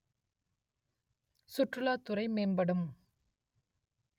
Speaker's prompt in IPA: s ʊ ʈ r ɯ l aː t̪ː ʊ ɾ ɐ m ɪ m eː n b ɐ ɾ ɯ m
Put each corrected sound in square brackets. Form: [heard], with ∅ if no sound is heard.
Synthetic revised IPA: s ʊ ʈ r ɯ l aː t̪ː ʊ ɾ ɐ [∅] ɪ m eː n b ɐ [ɽ] ɯ m